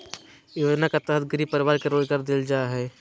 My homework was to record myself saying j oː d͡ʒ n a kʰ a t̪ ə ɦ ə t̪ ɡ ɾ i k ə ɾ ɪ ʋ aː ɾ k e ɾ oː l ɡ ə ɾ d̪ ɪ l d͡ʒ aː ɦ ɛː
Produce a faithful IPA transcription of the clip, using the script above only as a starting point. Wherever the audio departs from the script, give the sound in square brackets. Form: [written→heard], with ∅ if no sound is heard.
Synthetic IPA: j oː d͡ʒ n a [kʰ→k] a t̪ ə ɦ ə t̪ ɡ ɾ i [k→p] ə ɾ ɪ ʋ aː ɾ k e ɾ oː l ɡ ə ɾ d̪ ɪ l d͡ʒ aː ɦ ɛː